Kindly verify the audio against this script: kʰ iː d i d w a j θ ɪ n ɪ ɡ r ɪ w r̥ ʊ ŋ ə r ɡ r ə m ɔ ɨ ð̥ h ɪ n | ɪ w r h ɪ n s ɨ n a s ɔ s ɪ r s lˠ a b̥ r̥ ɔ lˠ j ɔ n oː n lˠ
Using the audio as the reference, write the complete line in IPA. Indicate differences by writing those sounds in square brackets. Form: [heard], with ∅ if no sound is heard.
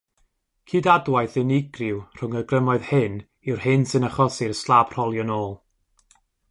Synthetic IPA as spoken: kʰ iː d [a] d w a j θ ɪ n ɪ ɡ r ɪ w r̥ ʊ ŋ ə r ɡ r ə m ɔ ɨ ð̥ h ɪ n | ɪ w r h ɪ n s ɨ n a [χ] ɔ s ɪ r s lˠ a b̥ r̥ ɔ lˠ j ɔ n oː [∅] lˠ